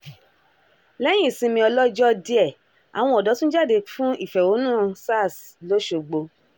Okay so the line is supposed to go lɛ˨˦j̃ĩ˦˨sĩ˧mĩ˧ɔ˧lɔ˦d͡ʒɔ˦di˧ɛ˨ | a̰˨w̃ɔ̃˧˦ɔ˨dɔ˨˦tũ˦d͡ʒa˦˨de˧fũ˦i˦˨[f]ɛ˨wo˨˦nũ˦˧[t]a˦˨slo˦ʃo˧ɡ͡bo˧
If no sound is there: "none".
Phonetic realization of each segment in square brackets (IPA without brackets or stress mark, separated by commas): f, s